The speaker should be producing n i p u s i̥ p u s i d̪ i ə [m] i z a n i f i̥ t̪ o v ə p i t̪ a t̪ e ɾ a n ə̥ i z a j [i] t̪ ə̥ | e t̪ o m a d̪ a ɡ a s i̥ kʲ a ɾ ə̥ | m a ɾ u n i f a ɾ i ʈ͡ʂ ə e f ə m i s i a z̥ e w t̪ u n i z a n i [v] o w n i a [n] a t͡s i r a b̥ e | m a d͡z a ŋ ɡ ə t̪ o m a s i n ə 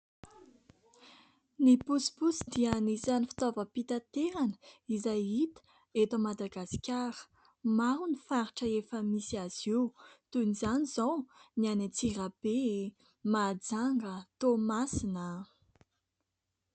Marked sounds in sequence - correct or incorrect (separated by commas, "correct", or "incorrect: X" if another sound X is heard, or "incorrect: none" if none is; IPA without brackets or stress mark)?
incorrect: n, correct, incorrect: z, correct